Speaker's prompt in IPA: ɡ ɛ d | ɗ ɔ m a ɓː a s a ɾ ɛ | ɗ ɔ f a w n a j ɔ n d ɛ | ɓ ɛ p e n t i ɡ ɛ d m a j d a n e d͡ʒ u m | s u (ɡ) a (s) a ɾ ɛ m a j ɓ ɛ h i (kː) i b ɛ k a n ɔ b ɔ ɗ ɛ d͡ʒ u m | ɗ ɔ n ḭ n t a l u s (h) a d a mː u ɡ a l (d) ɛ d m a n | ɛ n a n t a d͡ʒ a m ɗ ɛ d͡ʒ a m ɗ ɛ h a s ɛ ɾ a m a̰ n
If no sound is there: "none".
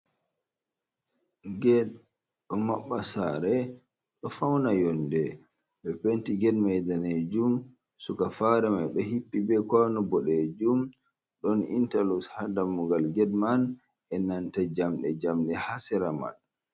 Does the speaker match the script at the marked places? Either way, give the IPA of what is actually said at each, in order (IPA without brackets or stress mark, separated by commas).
k, f, pː, h, ɡ